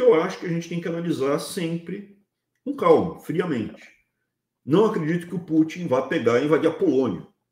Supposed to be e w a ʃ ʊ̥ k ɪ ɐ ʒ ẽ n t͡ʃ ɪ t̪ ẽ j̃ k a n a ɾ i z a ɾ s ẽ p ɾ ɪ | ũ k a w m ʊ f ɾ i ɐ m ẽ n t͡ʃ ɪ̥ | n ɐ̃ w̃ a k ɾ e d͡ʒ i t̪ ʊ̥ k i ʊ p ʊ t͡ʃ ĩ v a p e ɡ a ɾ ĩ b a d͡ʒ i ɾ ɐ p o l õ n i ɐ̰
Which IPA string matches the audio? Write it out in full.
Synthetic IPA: e w a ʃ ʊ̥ k ɪ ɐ ʒ ẽ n t͡ʃ ɪ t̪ ẽ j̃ k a n a l i z a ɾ s ẽ p ɾ ɪ | ũ k a w m ʊ f ɾ i ɐ m ẽ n t͡ʃ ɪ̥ | n ɐ̃ w̃ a k ɾ e d͡ʒ i t̪ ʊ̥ k ɪ ʊ p u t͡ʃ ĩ v a p e ɡ a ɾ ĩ v a d͡ʒ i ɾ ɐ p o l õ n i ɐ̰